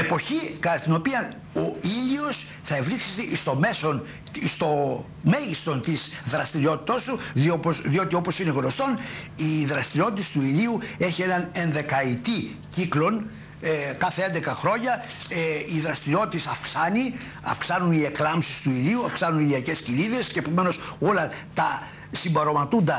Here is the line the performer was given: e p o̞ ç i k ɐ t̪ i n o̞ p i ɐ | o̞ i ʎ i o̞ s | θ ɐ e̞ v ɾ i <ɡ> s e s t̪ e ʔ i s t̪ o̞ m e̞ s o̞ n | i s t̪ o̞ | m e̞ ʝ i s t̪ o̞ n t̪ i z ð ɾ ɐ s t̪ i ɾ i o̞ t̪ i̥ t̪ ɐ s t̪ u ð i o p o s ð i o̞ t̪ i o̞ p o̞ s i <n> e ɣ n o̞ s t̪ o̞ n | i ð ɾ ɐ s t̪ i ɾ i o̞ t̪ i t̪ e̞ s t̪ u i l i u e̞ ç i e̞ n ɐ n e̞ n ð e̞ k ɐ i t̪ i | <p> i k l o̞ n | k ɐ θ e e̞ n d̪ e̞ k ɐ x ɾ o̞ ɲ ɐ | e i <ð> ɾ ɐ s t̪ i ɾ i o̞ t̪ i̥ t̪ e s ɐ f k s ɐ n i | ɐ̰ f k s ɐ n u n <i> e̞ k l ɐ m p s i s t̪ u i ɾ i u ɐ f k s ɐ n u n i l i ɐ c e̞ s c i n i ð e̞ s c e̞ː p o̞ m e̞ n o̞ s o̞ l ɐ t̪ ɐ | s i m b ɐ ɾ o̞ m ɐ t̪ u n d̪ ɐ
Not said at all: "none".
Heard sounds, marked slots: k, n, c, ð, i

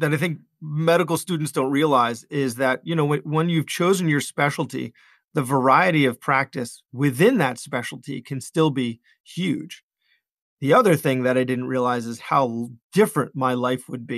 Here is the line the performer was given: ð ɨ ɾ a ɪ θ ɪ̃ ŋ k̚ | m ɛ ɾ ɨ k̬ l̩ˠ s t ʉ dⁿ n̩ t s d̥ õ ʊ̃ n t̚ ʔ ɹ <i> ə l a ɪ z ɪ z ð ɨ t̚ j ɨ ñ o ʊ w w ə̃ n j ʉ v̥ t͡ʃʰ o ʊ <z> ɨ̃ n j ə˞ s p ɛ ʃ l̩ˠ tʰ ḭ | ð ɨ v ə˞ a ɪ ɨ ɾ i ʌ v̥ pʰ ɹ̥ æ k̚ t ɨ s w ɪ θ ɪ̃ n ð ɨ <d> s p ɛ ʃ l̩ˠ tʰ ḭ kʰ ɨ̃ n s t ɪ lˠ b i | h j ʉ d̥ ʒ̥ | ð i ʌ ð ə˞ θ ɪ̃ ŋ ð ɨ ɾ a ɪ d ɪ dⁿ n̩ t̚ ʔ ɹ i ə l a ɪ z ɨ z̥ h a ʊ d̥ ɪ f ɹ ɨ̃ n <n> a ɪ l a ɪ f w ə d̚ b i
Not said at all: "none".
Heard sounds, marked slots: i, z, t, m

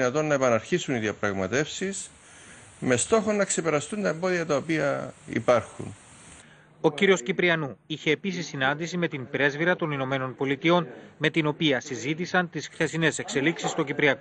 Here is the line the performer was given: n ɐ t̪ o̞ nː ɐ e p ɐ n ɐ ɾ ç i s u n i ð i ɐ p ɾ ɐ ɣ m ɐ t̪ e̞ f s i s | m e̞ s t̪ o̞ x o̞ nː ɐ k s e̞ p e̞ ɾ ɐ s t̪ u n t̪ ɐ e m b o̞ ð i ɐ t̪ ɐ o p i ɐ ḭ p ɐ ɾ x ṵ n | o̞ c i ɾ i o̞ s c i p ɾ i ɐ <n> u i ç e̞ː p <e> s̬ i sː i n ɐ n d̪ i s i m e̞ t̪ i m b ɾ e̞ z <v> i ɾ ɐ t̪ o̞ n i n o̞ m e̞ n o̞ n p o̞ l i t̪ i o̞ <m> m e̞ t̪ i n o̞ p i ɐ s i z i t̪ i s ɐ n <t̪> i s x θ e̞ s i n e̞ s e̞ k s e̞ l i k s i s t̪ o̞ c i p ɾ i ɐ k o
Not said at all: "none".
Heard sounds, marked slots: n, i, v, n, t̪

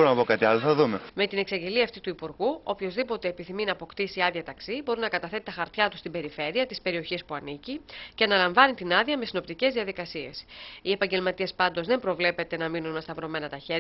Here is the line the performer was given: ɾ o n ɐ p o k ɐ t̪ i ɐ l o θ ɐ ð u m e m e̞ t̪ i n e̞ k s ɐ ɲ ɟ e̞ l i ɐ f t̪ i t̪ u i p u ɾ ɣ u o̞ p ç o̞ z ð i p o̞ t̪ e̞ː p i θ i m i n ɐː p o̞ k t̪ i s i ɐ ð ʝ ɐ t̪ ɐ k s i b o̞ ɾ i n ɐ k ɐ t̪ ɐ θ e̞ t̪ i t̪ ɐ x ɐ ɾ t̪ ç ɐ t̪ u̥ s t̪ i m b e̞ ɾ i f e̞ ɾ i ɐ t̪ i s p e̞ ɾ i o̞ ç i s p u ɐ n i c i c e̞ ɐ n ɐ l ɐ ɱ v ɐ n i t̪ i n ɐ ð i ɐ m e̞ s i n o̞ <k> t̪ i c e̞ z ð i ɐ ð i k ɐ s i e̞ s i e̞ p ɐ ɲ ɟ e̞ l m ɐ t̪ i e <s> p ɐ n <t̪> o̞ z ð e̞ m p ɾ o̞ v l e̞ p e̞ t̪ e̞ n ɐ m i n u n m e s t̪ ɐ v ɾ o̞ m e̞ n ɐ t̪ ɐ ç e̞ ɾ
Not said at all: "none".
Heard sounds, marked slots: p, s, d̪

